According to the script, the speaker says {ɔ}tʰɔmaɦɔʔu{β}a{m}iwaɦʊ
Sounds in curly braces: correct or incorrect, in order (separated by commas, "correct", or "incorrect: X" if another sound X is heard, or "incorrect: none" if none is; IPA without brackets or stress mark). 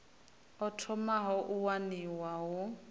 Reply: correct, incorrect: w, incorrect: n